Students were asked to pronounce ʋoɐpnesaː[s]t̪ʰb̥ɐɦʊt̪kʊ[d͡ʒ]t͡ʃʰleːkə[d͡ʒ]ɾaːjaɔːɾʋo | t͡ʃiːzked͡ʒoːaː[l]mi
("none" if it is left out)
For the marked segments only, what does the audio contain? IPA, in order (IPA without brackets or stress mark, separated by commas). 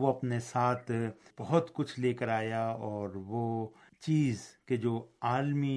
none, none, none, l